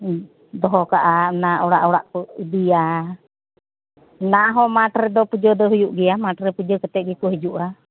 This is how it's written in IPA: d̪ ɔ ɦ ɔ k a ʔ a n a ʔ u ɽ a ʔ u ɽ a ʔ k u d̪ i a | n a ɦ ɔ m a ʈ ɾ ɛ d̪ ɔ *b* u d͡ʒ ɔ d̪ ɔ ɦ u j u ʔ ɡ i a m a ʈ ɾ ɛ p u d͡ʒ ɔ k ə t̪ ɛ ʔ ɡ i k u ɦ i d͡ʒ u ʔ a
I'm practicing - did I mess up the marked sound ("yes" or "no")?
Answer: yes